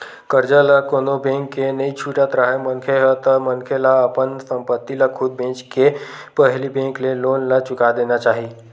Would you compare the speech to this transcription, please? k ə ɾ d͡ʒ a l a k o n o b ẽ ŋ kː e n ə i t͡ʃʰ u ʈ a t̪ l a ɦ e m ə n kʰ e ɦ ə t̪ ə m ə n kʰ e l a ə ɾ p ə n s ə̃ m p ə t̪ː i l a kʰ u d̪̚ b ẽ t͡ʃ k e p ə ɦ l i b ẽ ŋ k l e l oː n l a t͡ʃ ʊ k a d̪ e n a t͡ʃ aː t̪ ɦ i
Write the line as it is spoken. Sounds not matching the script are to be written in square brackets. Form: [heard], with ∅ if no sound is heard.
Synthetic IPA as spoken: k ə ɾ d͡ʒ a l a k o n o b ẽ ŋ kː e n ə i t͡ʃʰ u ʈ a t̪ [ɾ] a ɦ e m ə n kʰ e ɦ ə t̪ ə m ə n kʰ e l a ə [∅] p ə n s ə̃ m p ə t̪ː i l a kʰ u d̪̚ b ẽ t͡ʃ k e p ə ɦ l i b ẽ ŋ k l e l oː n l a t͡ʃ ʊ k a d̪ e n a t͡ʃ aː [∅] ɦ i